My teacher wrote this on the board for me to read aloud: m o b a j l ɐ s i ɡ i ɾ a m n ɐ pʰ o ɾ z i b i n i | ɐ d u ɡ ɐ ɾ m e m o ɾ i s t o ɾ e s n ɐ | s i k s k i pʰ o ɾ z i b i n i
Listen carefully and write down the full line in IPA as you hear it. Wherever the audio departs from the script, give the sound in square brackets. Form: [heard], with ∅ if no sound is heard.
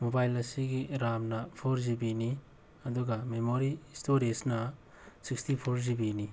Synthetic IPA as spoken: m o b a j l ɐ s i ɡ i ɾ a m n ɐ pʰ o ɾ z i b i n i | ɐ d u ɡ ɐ [∅] m e m o ɾ i s t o ɾ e s n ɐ | s i k s [t] i pʰ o ɾ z i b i n i